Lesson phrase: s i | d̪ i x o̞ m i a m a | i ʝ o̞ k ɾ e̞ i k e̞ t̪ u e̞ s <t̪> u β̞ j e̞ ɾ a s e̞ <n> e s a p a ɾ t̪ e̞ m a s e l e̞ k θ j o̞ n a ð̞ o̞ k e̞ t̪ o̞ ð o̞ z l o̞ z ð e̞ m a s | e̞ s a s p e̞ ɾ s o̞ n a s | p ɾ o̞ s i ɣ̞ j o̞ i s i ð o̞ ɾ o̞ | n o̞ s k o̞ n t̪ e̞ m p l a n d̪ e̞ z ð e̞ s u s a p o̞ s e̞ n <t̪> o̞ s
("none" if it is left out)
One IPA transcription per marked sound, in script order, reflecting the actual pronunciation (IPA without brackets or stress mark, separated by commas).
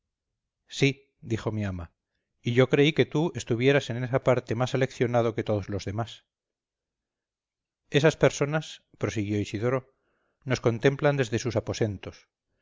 t̪, n, t̪